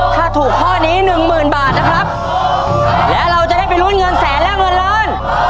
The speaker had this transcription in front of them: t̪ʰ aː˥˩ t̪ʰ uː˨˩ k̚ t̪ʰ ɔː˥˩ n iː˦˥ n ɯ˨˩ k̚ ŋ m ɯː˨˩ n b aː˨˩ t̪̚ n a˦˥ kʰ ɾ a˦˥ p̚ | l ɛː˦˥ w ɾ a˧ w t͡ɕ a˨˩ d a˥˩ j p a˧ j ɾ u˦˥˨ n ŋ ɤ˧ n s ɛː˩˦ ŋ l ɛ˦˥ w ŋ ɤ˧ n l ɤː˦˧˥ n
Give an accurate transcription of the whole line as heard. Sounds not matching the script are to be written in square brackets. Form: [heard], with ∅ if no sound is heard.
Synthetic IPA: t̪ʰ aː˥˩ t̪ʰ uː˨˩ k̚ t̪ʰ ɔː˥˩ n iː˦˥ n ɯ˨˩ [∅] ŋ m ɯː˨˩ n b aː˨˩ t̪̚ n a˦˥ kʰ ɾ a˦˥ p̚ | l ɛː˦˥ w ɾ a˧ w t͡ɕ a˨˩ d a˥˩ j p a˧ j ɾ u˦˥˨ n ŋ ɤ˧ n s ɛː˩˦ [n] l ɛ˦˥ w ŋ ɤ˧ n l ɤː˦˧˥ n